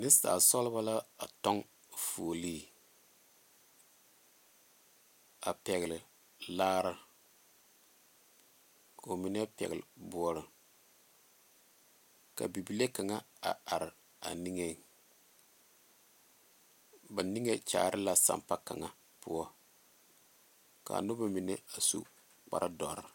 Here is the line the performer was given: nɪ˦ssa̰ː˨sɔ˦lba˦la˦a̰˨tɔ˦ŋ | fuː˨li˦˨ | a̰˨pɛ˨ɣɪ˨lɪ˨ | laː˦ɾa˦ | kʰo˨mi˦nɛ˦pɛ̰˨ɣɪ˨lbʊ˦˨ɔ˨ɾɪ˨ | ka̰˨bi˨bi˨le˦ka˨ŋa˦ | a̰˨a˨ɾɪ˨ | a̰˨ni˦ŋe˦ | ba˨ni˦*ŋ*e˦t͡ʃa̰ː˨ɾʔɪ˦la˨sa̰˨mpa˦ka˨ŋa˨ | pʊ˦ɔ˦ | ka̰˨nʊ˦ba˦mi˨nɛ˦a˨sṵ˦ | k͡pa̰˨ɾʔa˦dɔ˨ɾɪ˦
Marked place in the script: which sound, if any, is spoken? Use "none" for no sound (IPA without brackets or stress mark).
ŋ